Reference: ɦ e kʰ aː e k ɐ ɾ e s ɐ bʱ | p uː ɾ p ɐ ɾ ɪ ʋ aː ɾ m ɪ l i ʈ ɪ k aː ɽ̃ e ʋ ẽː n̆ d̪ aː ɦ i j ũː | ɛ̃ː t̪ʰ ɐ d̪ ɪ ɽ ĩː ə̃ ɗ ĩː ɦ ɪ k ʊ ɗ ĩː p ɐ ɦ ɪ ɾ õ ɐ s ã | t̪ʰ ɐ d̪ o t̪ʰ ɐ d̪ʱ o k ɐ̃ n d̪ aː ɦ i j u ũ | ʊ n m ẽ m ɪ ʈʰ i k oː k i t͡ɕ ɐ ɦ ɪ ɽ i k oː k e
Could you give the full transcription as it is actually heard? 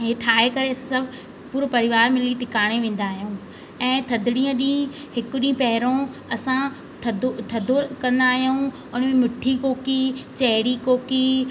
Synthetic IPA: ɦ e ʈʰ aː e k ɐ ɾ e s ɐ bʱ | p uː ɾ p ɐ ɾ ɪ ʋ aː ɾ m ɪ l i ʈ ɪ k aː ɽ̃ e ʋ ẽː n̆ d̪ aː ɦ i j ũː | ɛ̃ː t̪ʰ ɐ d̪ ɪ ɽ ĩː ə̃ ɗ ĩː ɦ ɪ k ʊ ɗ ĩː p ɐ ɦ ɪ ɾ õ ɐ s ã | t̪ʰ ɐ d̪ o t̪ʰ ɐ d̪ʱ o k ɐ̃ n d̪ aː ɦ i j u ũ | ʊ n m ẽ m ɪ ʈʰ i k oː k i t͡ɕ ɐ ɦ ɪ ɽ i k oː k i